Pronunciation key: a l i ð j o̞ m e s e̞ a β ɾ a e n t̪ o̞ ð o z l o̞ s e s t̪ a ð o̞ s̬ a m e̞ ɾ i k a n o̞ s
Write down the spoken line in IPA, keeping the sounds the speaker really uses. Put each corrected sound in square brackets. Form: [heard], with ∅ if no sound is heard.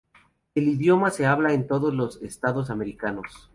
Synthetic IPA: [e] l i ð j o̞ m [a] s e̞ a β [l] a e n t̪ o̞ ð o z l o̞ s e s t̪ a ð o̞ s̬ a m e̞ ɾ i k a n o̞ s